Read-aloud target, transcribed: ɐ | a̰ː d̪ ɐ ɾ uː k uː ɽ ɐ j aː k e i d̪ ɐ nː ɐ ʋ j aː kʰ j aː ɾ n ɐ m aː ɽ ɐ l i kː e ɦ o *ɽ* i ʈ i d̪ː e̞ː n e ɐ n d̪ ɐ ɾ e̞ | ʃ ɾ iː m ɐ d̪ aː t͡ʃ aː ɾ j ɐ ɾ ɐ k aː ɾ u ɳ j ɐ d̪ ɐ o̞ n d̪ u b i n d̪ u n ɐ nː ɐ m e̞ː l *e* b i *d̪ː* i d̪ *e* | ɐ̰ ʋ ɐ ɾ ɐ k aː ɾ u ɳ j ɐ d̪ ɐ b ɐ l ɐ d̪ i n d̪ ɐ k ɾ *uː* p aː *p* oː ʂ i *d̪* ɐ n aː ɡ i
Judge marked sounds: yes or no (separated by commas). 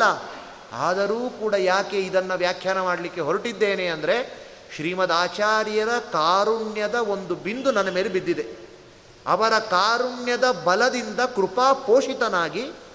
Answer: no, yes, yes, yes, no, yes, no